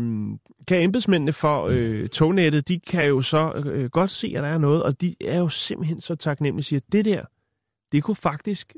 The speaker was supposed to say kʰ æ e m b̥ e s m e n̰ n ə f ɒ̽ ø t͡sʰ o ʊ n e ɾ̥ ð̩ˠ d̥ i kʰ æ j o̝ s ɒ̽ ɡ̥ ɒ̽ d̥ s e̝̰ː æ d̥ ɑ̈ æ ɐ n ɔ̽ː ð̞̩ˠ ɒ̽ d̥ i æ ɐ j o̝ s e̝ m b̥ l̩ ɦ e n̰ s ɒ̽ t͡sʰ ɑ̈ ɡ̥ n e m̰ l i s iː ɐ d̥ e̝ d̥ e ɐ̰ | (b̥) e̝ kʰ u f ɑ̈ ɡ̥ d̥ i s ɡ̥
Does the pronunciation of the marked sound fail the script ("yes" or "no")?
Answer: yes